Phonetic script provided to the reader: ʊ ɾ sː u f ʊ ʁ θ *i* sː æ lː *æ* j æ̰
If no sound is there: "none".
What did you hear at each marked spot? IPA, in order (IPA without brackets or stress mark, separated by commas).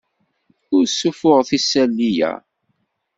i, i